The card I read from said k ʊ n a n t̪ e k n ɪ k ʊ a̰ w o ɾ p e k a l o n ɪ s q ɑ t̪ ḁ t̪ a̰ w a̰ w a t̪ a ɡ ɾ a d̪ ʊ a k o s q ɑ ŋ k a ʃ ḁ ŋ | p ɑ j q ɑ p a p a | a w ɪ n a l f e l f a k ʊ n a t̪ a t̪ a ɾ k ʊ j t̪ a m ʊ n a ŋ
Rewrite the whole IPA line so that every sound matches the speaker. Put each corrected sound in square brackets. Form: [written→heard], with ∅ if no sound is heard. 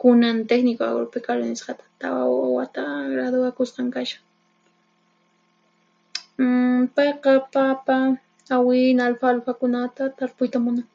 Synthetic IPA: k ʊ n a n t̪ e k n ɪ k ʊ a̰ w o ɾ p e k a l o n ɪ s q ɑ t̪ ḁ t̪ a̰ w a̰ w a t̪ a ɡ ɾ a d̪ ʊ a k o s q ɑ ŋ k a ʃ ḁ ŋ | p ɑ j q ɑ p a p a | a w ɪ n a l f [e→a] l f a k ʊ n a t̪ a t̪ a ɾ [k→p] ʊ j t̪ a m ʊ n a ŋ